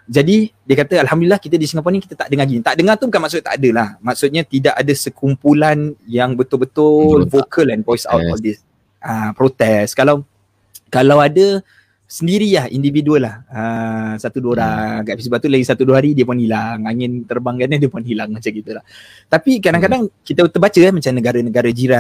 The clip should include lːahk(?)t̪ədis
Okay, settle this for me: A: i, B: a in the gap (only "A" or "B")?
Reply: A